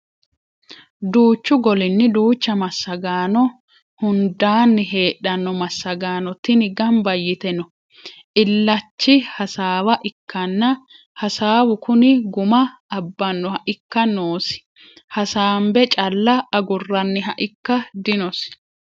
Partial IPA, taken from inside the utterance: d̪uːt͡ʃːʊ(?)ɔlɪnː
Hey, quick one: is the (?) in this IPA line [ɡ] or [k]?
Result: ɡ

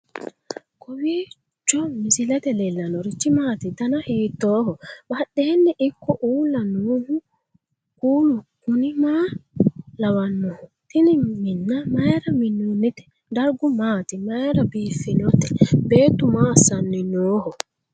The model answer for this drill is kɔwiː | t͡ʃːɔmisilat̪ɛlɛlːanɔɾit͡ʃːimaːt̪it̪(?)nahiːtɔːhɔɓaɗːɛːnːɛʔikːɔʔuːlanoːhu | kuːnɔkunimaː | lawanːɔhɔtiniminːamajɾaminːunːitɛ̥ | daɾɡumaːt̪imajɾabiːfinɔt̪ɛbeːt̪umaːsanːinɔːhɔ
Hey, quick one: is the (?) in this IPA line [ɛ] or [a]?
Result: a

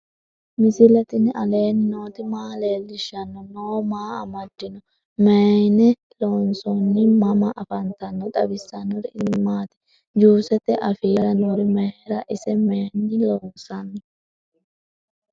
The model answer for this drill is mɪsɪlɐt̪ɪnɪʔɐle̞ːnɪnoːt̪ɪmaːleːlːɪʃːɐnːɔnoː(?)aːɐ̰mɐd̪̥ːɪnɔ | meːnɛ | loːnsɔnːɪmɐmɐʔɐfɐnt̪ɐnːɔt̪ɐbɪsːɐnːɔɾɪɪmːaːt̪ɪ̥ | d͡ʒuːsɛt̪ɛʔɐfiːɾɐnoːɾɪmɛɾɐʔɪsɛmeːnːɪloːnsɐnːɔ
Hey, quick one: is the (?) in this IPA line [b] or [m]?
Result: m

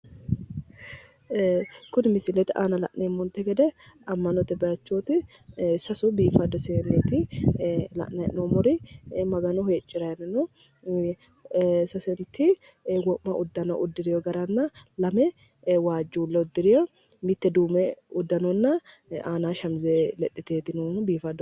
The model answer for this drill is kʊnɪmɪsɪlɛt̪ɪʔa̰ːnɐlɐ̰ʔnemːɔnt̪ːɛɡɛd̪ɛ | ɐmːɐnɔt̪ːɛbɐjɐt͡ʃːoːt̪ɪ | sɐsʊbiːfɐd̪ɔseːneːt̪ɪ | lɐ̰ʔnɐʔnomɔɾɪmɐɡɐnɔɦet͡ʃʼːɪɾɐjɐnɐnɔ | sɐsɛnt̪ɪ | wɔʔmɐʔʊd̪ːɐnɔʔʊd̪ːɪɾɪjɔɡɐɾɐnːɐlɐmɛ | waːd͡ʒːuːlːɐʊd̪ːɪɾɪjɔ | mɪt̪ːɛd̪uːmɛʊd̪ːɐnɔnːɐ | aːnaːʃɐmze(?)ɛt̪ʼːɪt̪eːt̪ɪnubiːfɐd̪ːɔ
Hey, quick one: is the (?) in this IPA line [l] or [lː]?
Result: l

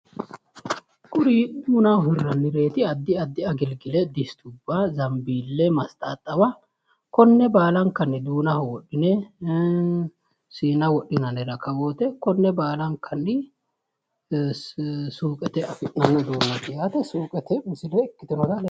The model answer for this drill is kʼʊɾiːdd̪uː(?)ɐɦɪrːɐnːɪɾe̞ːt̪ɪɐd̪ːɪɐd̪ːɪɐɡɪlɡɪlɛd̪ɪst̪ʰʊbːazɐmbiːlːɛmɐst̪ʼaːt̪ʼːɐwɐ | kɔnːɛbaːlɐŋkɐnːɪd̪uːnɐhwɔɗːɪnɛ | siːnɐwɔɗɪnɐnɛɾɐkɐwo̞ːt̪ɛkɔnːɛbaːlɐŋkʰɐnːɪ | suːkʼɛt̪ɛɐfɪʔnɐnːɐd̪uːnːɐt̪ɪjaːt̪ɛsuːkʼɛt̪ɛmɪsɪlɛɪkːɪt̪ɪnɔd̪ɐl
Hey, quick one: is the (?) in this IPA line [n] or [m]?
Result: n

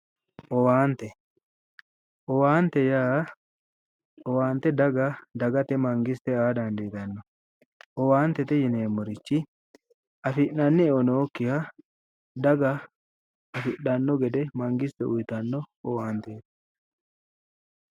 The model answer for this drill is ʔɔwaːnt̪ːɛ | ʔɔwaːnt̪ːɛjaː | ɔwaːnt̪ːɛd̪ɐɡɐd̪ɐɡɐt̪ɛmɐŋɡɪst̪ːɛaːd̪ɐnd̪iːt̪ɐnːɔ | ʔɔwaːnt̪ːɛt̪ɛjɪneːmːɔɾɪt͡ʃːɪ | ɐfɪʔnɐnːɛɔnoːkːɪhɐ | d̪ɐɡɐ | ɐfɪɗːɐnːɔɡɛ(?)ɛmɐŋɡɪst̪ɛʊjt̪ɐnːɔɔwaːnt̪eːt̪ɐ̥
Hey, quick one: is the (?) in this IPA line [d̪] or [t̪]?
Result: d̪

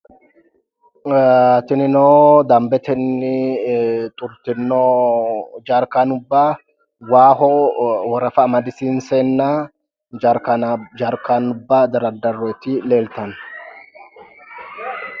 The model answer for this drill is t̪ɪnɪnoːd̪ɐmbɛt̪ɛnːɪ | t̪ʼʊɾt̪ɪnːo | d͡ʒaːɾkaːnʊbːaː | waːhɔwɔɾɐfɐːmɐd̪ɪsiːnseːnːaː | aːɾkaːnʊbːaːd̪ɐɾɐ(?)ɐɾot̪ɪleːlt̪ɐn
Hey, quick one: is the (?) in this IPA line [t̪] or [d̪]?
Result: d̪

